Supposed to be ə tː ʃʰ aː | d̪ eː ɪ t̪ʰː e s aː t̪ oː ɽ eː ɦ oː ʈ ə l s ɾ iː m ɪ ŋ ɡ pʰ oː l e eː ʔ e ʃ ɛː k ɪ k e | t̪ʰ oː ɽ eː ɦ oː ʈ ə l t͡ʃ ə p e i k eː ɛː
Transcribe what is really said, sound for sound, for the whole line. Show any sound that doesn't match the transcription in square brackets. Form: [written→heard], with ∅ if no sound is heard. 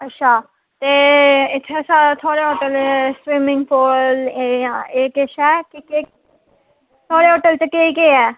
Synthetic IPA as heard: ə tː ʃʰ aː | [d̪→t̪] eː ɪ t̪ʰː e s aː [t̪→t̪ʰ] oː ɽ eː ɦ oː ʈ ə l s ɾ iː m ɪ ŋ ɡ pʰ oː l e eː [ʔ→k] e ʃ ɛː k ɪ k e | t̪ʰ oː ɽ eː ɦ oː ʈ ə l t͡ʃ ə [p→k] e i k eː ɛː